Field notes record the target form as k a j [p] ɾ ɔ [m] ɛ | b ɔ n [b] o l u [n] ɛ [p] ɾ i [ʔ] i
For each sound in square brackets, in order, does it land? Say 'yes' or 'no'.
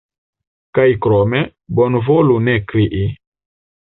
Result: no, yes, no, yes, no, yes

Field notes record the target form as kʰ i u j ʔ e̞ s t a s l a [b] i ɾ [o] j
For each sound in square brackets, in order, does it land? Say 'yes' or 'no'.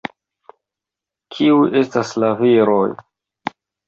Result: no, yes

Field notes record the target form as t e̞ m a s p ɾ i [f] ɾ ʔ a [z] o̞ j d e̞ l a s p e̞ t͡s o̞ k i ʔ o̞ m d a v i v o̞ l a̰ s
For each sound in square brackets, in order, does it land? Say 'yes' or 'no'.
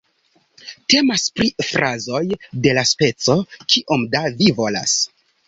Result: yes, yes

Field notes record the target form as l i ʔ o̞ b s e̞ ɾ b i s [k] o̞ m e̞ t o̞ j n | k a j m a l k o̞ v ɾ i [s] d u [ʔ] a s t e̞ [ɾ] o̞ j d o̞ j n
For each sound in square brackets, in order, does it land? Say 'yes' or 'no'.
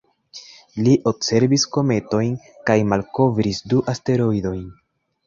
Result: yes, yes, yes, yes

